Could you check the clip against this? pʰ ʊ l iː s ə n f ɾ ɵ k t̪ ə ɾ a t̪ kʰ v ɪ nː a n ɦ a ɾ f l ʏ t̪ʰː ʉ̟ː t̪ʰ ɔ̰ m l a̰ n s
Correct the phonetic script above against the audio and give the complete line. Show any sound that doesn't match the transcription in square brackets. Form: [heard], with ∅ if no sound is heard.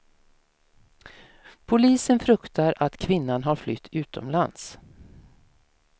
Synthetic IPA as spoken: pʰ ʊ l iː s ə n f ɾ ɵ k t̪ [a] ɾ a t̪ kʰ v ɪ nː a n ɦ a ɾ f l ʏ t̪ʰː ʉ̟ː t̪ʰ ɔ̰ m l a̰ n s